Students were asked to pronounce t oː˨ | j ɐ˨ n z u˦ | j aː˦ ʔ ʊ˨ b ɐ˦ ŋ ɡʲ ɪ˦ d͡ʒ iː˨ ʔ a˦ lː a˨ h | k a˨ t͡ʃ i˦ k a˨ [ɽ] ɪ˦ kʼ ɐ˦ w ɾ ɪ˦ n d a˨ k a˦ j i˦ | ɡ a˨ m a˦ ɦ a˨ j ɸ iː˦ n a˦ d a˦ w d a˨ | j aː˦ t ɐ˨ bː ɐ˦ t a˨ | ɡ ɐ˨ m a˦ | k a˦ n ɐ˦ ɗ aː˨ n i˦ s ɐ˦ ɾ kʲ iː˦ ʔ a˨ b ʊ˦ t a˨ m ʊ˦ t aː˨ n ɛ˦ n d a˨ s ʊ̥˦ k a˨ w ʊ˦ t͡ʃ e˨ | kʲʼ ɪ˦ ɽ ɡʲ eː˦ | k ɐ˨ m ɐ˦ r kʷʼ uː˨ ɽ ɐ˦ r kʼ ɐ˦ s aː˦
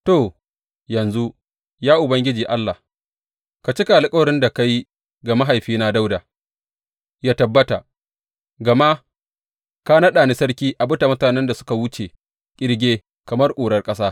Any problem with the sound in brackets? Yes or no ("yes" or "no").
yes